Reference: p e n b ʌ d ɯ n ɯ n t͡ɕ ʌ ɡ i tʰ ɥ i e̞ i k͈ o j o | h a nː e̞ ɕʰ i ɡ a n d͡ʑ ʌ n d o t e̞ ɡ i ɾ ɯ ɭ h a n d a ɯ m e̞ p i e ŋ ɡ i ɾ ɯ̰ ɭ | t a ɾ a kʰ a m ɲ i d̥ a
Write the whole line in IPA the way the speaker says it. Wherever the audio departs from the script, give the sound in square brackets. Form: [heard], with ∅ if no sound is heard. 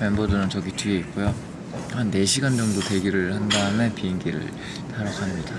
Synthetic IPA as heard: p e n b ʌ d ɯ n ɯ n t͡ɕ ʌ ɡ i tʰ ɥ i e̞ i k͈ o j o | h a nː e̞ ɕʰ i ɡ a n d͡ʑ ʌ [ŋ] d o t e̞ ɡ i ɾ ɯ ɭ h a n d a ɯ m e̞ p i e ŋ ɡ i ɾ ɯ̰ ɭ | t a ɾ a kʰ a m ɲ i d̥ a